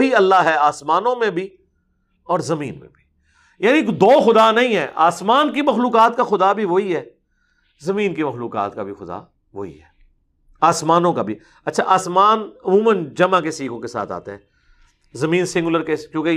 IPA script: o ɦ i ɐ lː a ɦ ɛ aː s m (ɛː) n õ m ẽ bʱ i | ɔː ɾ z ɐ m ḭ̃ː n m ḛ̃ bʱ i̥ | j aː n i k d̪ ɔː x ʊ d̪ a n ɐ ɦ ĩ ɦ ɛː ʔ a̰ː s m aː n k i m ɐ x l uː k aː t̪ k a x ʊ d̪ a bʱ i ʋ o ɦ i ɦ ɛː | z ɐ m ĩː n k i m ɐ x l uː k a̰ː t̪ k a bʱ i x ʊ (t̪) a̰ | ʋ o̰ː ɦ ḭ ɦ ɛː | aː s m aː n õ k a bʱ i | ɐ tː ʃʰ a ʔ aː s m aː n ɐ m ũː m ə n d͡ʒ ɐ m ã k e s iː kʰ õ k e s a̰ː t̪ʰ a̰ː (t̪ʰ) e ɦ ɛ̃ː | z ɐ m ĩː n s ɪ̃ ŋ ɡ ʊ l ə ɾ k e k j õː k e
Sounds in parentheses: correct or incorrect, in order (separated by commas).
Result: incorrect, incorrect, incorrect